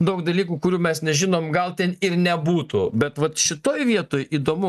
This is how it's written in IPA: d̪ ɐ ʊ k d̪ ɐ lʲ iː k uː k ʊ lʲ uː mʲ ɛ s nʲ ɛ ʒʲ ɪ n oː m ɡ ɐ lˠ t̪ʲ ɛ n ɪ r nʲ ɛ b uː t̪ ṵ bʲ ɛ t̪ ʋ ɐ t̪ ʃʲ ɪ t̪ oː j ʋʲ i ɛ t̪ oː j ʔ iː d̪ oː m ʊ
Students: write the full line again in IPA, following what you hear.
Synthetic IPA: d̪ ɐ ʊ k d̪ ɐ lʲ iː k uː k ʊ ɾʲ uː mʲ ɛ s nʲ ɛ ʒʲ ɪ n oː m ɡ ɐ lˠ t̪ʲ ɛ n ɪ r nʲ ɛ b uː t̪ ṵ bʲ ɛ t̪ ʋ ɐ t̪ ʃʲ ɪ t̪ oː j ʋʲ i ɛ t̪ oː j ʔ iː d̪ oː m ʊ